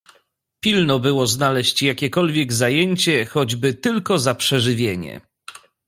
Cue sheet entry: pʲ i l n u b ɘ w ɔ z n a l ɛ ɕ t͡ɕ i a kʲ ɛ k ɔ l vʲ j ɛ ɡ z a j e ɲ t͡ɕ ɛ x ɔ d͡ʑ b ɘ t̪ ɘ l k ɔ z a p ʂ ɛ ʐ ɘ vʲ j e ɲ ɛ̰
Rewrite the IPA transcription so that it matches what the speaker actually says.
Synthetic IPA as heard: pʲ i l n ɔ b ɘ w ɔ z n a l ɛ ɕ t͡ɕ j a kʲ ɛ k ɔ l vʲ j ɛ ɡ z a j e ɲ t͡ɕ ɛ x ɔ d͡ʑ b ɘ t̪ ɘ l k ɔ z a p ʂ ɛ ʐ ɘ vʲ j e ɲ ɛ̰